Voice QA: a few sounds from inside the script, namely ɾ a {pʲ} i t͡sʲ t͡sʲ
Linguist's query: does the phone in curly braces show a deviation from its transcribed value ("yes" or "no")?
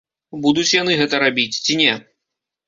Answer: yes